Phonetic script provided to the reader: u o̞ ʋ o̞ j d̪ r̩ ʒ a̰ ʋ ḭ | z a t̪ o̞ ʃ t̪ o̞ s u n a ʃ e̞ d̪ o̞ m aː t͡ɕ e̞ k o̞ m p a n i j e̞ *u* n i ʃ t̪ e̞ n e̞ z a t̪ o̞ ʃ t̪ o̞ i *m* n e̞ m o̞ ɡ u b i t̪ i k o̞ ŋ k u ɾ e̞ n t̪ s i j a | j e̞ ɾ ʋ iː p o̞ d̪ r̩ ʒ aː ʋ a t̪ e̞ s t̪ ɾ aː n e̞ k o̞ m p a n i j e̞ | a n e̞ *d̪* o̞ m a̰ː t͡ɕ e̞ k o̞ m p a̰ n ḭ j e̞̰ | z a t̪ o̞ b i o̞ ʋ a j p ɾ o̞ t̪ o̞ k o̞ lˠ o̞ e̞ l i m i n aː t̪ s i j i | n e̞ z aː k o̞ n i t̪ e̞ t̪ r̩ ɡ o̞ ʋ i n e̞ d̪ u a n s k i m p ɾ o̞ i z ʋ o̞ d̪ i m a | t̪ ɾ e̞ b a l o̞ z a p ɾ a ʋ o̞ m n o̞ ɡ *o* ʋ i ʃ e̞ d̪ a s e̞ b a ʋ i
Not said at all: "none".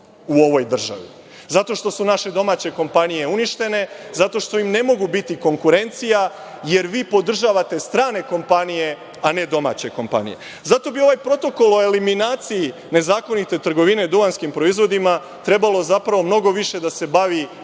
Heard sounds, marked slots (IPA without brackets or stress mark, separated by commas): u, m, d̪, o